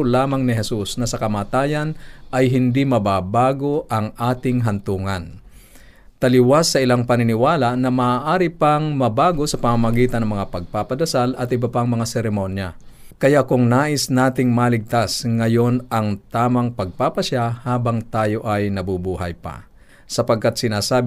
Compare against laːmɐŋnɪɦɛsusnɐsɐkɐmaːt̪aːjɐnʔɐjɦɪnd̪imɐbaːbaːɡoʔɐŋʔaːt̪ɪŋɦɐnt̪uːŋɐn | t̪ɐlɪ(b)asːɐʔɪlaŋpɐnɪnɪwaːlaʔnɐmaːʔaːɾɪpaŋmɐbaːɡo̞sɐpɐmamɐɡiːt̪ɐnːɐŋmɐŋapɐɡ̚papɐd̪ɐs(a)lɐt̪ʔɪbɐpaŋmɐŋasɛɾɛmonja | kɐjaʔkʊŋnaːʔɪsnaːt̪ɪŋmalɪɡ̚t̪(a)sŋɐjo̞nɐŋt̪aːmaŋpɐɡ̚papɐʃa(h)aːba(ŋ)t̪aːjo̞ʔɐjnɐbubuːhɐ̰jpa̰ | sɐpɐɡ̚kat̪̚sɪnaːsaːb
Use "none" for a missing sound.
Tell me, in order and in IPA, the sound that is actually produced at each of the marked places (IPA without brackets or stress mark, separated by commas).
w, a, a, h, ŋ